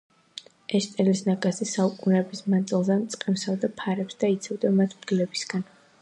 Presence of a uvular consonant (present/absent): present